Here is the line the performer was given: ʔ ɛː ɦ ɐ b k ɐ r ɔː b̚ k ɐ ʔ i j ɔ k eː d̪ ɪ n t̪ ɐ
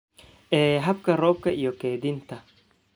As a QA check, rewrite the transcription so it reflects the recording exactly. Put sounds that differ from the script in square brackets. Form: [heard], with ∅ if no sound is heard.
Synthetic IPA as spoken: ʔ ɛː ɦ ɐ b k ɐ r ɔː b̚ k ɐ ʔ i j ɔ k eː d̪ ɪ n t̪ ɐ